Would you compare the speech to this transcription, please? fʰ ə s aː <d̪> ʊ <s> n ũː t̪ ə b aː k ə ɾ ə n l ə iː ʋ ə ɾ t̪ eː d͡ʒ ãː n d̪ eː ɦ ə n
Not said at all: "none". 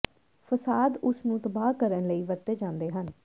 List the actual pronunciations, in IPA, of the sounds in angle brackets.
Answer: d̪, s

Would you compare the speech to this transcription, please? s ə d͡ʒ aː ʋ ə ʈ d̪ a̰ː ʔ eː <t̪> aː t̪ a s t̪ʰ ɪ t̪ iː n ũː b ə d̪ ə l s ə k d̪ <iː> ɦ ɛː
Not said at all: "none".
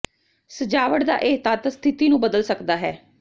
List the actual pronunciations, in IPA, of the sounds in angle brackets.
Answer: t̪, aː

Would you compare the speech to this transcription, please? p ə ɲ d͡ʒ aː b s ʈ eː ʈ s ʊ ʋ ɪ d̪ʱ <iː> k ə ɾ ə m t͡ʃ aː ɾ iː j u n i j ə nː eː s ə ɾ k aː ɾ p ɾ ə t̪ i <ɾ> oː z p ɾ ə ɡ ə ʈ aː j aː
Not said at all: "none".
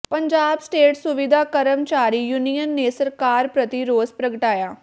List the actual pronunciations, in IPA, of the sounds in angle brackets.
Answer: aː, ɾ

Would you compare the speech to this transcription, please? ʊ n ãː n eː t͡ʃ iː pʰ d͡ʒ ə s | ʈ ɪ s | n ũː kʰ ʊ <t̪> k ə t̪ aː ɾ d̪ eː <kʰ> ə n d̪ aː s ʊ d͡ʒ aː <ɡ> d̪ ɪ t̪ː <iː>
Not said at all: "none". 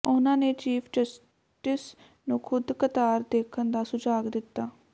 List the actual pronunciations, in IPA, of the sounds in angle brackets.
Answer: d̪, kʰ, ɡ, aː

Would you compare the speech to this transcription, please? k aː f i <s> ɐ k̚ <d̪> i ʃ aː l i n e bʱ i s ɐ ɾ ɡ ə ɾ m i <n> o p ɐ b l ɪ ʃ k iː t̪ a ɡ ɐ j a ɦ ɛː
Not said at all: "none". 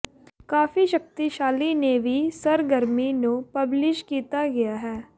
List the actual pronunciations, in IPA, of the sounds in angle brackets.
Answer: ʃ, t̪, n

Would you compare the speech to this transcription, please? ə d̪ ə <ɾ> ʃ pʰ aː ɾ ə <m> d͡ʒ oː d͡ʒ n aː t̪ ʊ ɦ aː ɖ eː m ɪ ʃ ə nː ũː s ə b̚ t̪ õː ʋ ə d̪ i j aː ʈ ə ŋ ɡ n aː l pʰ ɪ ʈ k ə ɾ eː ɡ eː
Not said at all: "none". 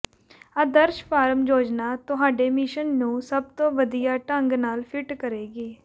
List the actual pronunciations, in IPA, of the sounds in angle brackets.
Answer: ɾ, m

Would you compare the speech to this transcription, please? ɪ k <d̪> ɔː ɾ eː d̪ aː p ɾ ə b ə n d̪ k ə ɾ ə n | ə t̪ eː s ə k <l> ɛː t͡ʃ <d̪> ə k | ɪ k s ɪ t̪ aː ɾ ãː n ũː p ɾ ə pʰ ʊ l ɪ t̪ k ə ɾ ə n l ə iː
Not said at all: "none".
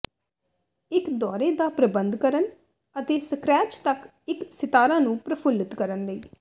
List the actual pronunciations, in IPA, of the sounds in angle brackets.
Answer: d̪, ɾ, t̪

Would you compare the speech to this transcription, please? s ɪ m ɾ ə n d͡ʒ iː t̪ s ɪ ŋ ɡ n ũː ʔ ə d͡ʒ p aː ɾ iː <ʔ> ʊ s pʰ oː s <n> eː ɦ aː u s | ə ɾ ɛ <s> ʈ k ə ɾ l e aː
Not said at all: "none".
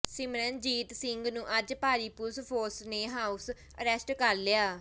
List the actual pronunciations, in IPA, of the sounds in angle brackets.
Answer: p, n, s

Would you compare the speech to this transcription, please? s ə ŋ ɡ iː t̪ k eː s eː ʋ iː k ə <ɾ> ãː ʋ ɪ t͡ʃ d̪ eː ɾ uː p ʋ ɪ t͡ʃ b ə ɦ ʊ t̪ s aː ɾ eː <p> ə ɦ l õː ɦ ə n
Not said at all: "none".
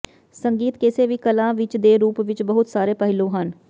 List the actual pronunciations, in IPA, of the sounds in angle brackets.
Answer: l, p

